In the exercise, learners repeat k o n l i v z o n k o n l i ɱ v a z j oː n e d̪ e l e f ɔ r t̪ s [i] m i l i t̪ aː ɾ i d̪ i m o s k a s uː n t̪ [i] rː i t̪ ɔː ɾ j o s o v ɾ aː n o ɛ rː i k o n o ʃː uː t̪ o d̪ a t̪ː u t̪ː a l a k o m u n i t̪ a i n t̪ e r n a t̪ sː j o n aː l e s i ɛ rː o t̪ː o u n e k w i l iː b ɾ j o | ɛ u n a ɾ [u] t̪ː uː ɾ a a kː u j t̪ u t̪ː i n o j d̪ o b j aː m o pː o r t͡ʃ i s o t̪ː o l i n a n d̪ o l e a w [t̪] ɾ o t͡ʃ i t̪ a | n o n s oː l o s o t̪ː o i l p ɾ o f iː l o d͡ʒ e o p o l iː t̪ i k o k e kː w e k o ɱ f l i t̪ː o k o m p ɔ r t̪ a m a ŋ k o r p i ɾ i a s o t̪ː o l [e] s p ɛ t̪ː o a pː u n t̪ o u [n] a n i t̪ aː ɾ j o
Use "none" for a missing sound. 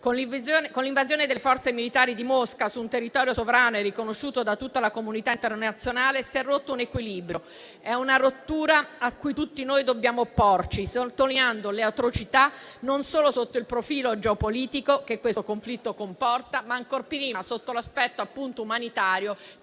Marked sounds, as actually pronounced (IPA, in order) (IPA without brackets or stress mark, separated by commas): e, e, o, t̪, a, m